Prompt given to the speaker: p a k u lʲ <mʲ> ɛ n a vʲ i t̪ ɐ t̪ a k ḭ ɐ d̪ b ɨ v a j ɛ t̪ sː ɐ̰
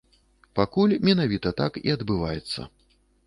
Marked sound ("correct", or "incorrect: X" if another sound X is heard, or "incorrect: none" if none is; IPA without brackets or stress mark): correct